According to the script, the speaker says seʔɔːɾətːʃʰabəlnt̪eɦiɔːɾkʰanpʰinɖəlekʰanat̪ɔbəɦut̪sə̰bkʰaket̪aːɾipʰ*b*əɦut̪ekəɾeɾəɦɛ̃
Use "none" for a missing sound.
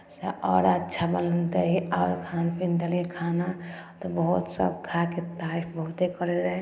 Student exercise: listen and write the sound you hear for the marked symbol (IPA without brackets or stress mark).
b